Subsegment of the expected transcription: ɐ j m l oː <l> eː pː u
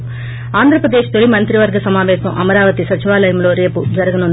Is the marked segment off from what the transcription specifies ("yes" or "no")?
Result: yes